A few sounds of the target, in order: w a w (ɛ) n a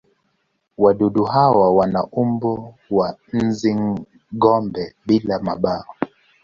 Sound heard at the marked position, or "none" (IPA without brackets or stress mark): a